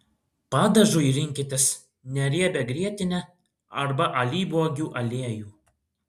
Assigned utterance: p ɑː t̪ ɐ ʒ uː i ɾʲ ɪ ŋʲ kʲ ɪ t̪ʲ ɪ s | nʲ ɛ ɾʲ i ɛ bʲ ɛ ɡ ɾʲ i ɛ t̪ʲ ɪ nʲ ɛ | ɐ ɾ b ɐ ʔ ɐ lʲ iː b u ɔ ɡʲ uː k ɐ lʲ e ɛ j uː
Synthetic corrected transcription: p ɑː d̪ ɐ ʒ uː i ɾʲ ɪ ŋʲ kʲ ɪ t̪ʲ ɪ s | nʲ ɛ ɾʲ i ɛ bʲ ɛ ɡ ɾʲ i ɛ t̪ʲ ɪ nʲ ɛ | ɐ ɾ b ɐ ʔ ɐ lʲ iː b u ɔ ɡʲ uː ʔ ɐ lʲ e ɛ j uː

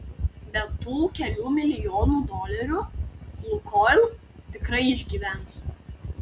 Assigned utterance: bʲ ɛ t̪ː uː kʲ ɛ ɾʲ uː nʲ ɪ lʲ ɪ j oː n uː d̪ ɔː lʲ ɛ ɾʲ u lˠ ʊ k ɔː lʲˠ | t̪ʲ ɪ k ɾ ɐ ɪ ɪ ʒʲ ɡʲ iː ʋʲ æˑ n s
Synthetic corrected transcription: bʲ ɛ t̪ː uː kʲ ɛ lʲ uː mʲ ɪ lʲ ɪ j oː n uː d̪ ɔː lʲ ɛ ɾʲ u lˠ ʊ k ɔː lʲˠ | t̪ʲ ɪ k ɾ ɐ ɪ ɪ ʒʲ ɡʲ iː ʋʲ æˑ n s

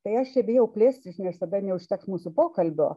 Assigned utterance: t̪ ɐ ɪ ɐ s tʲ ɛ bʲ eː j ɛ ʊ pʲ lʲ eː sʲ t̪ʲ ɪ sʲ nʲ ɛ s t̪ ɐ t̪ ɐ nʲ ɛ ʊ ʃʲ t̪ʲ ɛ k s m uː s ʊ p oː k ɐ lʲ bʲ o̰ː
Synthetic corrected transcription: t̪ ɐ ɪ ɐ ʃ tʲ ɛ bʲ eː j ɛ ʊ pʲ lʲ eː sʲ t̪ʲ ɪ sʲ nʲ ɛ s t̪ ɐ d̪ ɐ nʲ ɛ ʊ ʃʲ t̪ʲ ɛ k s m uː s ʊ p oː k ɐ lʲ bʲ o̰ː

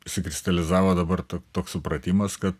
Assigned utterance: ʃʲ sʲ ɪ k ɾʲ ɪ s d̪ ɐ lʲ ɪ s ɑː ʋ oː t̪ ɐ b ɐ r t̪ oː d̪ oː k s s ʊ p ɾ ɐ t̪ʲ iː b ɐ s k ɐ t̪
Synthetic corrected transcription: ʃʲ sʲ ɪ k ɾʲ ɪ s t̪ ɐ lʲ ɪ z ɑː ʋ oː d̪ ɐ b ɐ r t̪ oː t̪ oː k s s ʊ p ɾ ɐ t̪ʲ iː m ɐ s k ɐ t̪

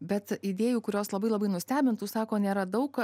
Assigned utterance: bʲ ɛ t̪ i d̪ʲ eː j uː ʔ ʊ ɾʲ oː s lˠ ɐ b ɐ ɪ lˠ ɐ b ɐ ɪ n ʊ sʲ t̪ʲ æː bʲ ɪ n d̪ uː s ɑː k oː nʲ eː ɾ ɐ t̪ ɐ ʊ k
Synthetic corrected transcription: bʲ ɛ t̪ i d̪ʲ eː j uː k ʊ ɾʲ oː s lˠ ɐ b ɐ ɪ lˠ ɐ b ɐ ɪ n ʊ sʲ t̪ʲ æː bʲ ɪ n t̪ uː s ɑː k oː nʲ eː ɾ ɐ d̪ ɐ ʊ k

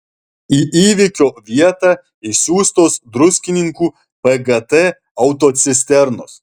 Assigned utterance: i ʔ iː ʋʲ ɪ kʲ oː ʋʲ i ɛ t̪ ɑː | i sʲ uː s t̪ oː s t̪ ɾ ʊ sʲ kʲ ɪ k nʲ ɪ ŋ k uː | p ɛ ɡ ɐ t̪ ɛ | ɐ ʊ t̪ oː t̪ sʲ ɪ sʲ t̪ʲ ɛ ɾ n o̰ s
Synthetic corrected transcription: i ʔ iː ʋʲ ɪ kʲ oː ʋʲ i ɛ t̪ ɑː | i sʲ uː s t̪ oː s d̪ ɾ ʊ sʲ kʲ ɪ nʲ ɪ ŋ k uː | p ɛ ɡ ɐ t̪ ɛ | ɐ ʊ t̪ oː t̪ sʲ ɪ sʲ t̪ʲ ɛ ɾ n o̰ s

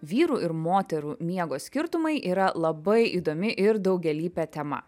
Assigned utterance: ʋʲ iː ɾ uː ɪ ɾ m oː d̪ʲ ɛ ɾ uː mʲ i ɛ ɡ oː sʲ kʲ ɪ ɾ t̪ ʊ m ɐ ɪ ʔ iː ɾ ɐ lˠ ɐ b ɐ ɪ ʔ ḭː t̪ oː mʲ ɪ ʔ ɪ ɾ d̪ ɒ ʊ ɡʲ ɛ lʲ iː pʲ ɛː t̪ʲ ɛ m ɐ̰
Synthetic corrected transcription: ʋʲ iː ɾ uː ɪ ɾ m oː t̪ʲ ɛ ɾ uː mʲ i ɛ ɡ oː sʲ kʲ ɪ ɾ t̪ ʊ m ɐ ɪ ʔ iː ɾ ɐ lˠ ɐ b ɐ ɪ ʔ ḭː d̪ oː mʲ ɪ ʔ ɪ ɾ d̪ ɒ ʊ ɡʲ ɛ lʲ iː pʲ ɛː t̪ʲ ɛ m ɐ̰

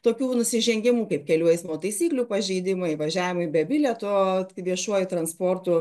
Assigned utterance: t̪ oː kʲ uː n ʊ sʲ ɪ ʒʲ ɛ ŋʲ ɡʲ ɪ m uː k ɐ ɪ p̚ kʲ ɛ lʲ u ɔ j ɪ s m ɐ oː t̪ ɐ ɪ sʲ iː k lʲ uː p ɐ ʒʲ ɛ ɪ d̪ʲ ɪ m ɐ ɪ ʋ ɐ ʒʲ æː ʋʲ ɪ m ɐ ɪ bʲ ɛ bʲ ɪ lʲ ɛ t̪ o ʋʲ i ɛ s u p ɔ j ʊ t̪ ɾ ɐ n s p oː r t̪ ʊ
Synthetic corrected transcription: t̪ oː kʲ uː n ʊ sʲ ɪ ʒʲ ɛ ŋʲ ɡʲ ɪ m uː k ɐ ɪ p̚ kʲ ɛ lʲ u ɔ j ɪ s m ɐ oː t̪ ɐ ɪ sʲ iː k lʲ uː p ɐ ʒʲ ɛ ɪ d̪ʲ ɪ m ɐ ɪ ʋ ɐ ʒʲ æː ʋʲ ɪ m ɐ ɪ bʲ ɛ bʲ ɪ lʲ ɛ t̪ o ʋʲ i ɛ ʃ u ɔ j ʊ t̪ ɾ ɐ n s p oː r t̪ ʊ

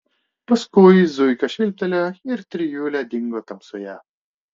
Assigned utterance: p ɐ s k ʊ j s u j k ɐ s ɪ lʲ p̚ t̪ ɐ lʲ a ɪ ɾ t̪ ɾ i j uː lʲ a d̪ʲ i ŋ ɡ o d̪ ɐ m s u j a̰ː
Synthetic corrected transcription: p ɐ s k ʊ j z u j k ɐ ʃ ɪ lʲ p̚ t̪ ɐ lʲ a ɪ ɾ t̪ ɾ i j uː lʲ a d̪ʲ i ŋ ɡ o t̪ ɐ m s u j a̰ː

